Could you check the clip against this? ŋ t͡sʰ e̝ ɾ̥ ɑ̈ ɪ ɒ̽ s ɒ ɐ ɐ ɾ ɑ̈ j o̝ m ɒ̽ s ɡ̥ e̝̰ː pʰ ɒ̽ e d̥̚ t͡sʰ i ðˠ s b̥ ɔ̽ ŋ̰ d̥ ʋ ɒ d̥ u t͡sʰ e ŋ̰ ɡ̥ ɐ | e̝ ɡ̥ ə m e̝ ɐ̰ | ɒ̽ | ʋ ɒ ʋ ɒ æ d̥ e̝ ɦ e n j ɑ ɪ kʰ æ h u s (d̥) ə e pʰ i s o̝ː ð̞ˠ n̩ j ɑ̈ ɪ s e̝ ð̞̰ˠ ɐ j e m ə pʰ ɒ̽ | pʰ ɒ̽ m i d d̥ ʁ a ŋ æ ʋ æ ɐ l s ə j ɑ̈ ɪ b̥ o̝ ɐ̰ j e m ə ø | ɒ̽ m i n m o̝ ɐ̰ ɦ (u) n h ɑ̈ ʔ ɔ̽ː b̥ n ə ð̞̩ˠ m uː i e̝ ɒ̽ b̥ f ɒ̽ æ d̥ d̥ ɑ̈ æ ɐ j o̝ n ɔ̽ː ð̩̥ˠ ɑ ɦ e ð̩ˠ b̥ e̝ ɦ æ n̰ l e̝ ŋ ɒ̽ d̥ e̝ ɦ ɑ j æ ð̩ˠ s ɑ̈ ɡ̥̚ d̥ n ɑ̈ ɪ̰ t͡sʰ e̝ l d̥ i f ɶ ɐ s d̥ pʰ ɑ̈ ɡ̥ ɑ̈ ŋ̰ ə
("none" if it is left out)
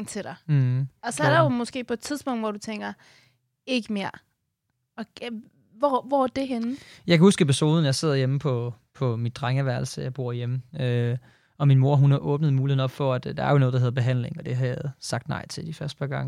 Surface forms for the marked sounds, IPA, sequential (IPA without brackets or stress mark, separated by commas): ɡ̥, u